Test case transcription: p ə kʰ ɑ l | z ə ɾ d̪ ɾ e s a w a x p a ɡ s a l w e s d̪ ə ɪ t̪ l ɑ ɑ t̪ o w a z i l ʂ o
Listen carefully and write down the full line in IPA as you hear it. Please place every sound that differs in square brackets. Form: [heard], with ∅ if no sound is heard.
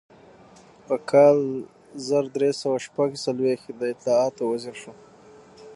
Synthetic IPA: p ə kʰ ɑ l | z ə ɾ d̪ ɾ e s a w a [ʃ] p a ɡ s a l w e [x] d̪ ə ɪ t̪ l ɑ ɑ t̪ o w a z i [ɾ] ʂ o